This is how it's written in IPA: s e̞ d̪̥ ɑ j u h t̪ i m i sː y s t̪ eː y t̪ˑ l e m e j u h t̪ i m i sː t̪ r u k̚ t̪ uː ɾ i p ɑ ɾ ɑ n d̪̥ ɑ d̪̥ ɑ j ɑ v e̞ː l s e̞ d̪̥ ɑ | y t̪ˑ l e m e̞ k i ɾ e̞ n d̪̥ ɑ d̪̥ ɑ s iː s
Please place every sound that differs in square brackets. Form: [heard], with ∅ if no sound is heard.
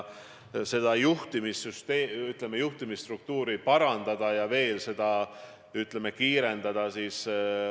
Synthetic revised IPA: s e̞ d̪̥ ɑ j u h t̪ i m i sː y s t̪ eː y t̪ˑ l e m e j u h t̪ i m i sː t̪ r u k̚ t̪ uː ɾ i p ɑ ɾ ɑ n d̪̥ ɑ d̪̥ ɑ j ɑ v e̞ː l s e̞ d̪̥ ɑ | y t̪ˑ l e m e̞ k [iː] ɾ e̞ n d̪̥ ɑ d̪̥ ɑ s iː s

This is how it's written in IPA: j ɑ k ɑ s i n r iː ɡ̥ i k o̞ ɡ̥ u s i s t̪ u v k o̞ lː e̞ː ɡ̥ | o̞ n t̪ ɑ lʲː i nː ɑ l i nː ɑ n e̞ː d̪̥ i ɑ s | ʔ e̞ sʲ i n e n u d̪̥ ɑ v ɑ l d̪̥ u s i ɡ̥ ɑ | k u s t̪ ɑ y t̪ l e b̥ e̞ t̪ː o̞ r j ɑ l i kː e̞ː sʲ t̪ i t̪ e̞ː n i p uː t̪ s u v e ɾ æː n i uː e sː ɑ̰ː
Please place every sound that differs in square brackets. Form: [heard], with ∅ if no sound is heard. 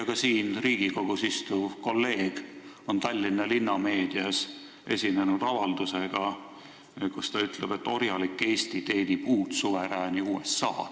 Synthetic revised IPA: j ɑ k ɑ s [iː] n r iː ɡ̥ i k o̞ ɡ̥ u s i s t̪ u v k o̞ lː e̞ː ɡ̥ | o̞ n t̪ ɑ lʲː i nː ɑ l i nː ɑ [m] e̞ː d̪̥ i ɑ s | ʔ e̞ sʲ i n e n u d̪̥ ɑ v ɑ l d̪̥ u s [e] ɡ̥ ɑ | k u s t̪ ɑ y t̪ l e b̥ e̞ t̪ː o̞ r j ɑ l i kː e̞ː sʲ t̪ i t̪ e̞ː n i p uː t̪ s u v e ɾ æː n i uː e sː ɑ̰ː

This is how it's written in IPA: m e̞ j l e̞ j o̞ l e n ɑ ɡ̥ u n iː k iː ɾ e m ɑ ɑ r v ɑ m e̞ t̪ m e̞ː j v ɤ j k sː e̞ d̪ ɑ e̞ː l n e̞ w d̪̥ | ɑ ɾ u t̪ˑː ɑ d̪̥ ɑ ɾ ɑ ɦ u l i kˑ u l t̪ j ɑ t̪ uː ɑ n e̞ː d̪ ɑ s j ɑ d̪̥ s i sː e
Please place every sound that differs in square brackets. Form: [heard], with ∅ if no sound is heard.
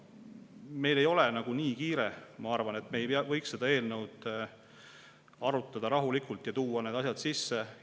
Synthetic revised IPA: m e̞ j l e̞ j o̞ l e n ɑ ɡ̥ u n iː k iː ɾ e m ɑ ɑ r v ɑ [n] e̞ t̪ m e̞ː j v ɤ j k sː e̞ d̪ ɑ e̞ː l n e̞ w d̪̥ | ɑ ɾ u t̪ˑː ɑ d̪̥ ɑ ɾ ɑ ɦ u l i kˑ u l t̪ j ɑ t̪ uː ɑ n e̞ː d̪ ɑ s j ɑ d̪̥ s i sː e

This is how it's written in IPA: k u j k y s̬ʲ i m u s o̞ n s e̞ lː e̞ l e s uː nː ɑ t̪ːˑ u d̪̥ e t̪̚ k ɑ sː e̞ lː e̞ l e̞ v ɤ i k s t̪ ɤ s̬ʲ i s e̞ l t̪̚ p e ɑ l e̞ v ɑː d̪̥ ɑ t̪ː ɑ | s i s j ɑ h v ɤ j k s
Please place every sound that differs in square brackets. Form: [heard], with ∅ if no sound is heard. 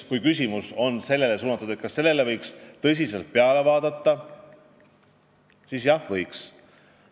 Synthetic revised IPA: k u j k y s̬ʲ i m u s o̞ n s e̞ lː e̞ l e s uː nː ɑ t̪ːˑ u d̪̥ e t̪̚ k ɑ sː e̞ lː e̞ l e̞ v ɤ [j] k s t̪ ɤ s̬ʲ i s e̞ l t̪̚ p e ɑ l e̞ v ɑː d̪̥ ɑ t̪ː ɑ | s i s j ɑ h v ɤ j k s

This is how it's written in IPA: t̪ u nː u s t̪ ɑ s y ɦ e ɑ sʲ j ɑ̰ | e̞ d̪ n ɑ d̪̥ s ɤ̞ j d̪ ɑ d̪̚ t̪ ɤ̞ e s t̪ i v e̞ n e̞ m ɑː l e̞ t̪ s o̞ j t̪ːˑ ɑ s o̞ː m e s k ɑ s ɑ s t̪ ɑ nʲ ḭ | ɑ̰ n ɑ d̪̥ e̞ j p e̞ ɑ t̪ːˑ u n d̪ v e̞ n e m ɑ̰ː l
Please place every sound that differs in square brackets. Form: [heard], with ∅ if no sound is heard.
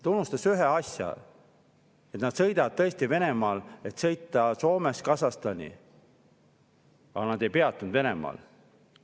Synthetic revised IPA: t̪ u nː u s t̪ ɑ s y ɦ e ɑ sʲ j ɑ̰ | e̞ [t̪] n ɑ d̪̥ s ɤ̞ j d̪ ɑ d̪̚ t̪ ɤ̞ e s t̪ i v e̞ n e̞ m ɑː l e̞ t̪ s [ɤ̞] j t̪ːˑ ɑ s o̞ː m e s k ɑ s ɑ s t̪ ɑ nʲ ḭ | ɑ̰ n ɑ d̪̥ e̞ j p e̞ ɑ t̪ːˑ u n d̪ v e̞ n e m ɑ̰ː l

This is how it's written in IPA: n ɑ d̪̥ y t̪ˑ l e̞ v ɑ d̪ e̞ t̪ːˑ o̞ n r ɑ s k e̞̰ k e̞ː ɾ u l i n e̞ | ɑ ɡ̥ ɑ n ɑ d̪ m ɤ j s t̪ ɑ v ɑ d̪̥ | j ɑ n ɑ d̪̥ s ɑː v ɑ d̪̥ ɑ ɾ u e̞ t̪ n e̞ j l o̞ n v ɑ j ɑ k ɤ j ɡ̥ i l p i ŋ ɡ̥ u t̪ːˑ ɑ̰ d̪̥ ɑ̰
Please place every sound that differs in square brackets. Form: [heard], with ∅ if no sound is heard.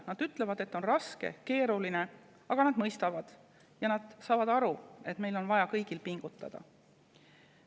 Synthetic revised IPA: n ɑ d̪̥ y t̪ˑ l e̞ v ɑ d̪ e̞ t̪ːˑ o̞ n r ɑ s k e̞̰ k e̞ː ɾ u l i n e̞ | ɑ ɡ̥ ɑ n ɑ d̪ m ɤ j s t̪ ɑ v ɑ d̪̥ | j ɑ n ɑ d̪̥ s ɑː v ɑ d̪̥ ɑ ɾ u e̞ t̪ [m] e̞ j l o̞ n v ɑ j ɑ k ɤ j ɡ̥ i l p i ŋ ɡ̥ u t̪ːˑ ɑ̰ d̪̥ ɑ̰

